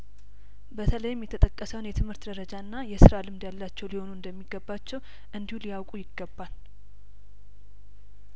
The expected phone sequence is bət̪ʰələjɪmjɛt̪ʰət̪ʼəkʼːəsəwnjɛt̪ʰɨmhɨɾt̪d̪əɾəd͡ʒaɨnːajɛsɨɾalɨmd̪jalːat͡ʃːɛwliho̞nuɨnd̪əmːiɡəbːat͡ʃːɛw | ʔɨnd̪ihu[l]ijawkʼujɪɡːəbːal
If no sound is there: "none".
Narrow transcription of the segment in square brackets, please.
l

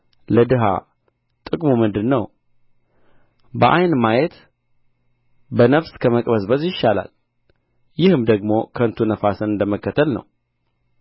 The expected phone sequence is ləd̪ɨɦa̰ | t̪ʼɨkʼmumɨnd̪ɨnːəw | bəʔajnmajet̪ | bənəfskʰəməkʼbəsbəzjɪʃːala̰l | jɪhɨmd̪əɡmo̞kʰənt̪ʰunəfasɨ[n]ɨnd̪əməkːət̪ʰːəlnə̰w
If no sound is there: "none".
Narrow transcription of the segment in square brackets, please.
n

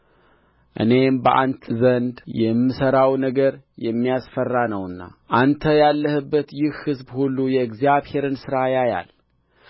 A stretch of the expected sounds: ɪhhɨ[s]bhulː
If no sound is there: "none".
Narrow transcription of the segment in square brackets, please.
z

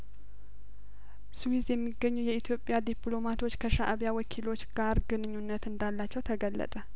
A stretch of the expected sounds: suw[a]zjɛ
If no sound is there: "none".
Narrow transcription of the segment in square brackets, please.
i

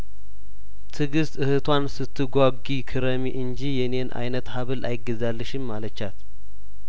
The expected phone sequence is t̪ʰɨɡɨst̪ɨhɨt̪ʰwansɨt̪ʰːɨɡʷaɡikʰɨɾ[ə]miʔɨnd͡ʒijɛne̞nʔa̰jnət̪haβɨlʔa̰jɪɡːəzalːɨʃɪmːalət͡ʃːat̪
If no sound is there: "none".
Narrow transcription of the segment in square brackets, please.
ə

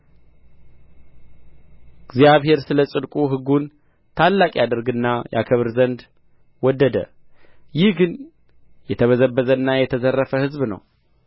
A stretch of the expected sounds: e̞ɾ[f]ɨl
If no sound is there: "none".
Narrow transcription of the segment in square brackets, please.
s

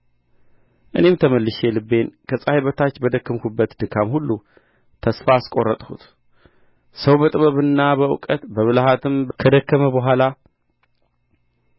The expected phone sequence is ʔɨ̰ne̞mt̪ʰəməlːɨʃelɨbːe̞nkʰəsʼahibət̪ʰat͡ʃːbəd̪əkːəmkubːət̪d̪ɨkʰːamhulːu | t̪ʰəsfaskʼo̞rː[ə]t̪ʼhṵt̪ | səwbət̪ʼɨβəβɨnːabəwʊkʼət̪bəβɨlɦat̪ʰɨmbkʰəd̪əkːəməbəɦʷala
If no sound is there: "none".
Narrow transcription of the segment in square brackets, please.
ə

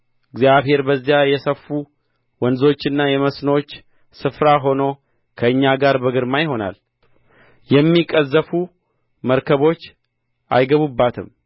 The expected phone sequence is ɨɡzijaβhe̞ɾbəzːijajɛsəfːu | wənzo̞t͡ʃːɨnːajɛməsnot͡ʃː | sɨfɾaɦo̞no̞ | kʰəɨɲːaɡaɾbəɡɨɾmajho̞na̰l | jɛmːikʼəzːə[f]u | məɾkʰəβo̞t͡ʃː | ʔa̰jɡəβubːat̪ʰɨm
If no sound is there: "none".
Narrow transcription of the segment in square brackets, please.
f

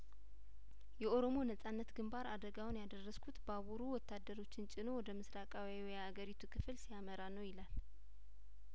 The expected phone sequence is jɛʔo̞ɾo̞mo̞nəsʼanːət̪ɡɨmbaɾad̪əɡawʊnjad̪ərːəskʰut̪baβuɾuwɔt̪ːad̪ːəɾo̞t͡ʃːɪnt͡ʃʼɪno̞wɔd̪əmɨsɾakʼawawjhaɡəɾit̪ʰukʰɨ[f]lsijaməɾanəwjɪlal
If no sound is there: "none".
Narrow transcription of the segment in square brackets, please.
f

